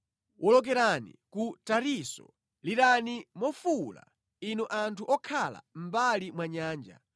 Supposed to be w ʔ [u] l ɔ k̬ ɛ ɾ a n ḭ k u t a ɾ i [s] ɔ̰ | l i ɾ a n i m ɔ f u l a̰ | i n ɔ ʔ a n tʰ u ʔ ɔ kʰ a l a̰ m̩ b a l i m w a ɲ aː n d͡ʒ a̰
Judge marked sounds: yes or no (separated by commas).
no, yes